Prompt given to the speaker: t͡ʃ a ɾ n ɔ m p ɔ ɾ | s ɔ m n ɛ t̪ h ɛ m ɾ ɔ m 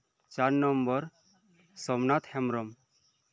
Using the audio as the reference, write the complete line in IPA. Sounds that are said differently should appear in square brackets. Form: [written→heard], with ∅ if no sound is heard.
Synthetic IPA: t͡ʃ a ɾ n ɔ m [p→b] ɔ ɾ | s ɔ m n [ɛ→a] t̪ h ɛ m ɾ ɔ m